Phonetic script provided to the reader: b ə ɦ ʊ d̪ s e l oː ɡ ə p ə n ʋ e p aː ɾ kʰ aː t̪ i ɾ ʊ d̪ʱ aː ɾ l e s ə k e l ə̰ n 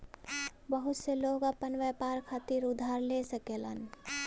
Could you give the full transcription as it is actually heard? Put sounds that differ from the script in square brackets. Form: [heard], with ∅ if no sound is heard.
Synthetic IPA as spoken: b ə ɦ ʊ [t̪] s e l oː ɡ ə p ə n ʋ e p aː ɾ kʰ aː t̪ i ɾ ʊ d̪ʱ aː ɾ l e s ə k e l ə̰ n

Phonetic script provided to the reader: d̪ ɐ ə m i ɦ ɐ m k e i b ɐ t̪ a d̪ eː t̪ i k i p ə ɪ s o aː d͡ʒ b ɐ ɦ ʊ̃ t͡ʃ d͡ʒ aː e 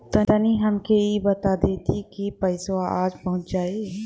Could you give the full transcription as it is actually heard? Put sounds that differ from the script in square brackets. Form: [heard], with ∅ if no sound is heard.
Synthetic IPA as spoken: [t̪] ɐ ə [n] i ɦ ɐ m k e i b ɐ t̪ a d̪ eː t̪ i k i p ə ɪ s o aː d͡ʒ [p] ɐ ɦ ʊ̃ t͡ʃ d͡ʒ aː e

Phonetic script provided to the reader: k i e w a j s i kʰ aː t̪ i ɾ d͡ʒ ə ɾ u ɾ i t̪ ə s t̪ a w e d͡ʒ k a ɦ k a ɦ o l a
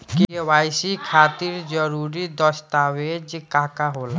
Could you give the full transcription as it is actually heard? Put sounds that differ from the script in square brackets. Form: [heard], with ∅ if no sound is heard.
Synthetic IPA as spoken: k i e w a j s i kʰ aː t̪ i ɾ d͡ʒ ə ɾ u ɾ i [d̪] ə s t̪ a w e d͡ʒ k a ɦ k a ɦ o l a

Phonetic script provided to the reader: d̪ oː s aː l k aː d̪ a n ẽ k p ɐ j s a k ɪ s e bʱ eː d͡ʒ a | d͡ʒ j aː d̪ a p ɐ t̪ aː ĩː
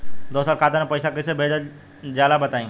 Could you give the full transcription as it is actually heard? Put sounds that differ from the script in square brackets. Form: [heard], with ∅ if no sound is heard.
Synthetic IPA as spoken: d̪ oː s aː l k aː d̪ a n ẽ [∅] p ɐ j s a k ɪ s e bʱ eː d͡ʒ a | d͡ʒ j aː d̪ a [b] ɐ t̪ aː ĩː

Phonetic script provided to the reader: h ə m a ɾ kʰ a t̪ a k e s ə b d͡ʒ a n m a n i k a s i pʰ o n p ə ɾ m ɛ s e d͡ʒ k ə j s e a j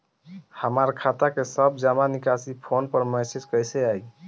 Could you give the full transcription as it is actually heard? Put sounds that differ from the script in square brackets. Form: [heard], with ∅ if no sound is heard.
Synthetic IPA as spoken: h ə m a ɾ kʰ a t̪ a k e s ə b d͡ʒ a [∅] m a n i k a s i pʰ o n p ə ɾ m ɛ s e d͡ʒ k ə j s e a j

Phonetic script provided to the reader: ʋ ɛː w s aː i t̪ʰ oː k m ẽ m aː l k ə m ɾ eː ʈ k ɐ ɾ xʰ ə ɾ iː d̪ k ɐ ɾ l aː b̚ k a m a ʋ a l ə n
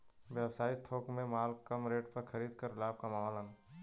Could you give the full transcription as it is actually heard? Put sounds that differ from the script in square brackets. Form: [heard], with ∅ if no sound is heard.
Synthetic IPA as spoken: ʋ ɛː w s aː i t̪ʰ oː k m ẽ m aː l k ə m ɾ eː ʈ [p] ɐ ɾ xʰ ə ɾ iː d̪ k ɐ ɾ l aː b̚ k a m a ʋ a l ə n

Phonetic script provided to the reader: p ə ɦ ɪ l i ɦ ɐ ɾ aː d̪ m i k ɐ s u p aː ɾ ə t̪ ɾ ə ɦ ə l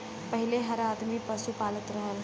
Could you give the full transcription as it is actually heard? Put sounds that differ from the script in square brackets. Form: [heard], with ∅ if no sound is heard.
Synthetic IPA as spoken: p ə ɦ ɪ l [e] ɦ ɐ ɾ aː d̪ m i [p] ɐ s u p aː [l] ə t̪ ɾ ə ɦ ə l

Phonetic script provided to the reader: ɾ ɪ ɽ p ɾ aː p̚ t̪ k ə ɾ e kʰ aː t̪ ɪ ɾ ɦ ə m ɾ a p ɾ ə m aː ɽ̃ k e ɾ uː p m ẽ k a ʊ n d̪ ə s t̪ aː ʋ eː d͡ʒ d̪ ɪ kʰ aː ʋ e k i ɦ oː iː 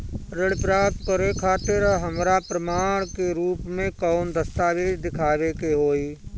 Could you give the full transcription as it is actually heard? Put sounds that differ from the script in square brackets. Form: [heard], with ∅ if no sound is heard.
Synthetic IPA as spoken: ɾ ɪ ɽ p ɾ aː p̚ t̪ k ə ɾ e kʰ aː t̪ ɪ ɾ ɦ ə m ɾ a p ɾ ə m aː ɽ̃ k e ɾ uː p m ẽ k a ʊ n d̪ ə s t̪ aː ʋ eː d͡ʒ d̪ ɪ kʰ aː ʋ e k [e] ɦ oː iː

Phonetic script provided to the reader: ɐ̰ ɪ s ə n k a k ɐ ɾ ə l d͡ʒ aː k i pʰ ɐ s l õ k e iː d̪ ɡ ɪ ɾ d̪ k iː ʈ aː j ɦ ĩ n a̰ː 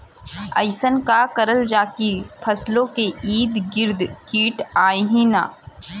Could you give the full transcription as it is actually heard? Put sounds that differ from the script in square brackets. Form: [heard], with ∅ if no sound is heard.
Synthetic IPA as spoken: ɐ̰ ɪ s ə n k a k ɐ ɾ ə l d͡ʒ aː k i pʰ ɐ s l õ k e iː d̪ ɡ ɪ ɾ d̪ k iː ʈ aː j ɦ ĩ n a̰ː

